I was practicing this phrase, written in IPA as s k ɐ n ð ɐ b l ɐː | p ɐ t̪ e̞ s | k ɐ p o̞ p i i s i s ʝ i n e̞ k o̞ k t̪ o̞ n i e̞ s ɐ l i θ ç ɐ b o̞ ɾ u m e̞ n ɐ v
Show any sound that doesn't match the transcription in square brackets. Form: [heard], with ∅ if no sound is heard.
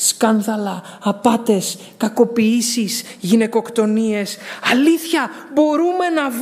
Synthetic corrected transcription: s k ɐ n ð ɐ [∅] l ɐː | p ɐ t̪ e̞ s | k ɐ [k] o̞ p i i s i s ʝ i n e̞ k o̞ k t̪ o̞ n i e̞ s ɐ l i θ ç ɐ b o̞ ɾ u m e̞ n ɐ v